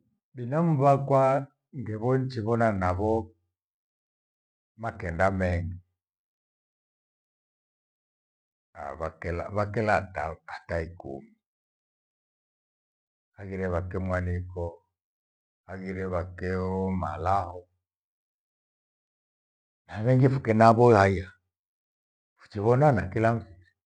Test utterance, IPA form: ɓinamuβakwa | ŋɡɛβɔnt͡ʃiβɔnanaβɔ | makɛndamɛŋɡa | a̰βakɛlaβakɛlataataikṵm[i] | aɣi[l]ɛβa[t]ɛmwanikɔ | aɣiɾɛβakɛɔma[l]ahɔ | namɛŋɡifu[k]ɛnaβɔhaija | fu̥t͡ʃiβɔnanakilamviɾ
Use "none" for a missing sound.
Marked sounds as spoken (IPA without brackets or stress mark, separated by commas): i, ɾ, k, l, k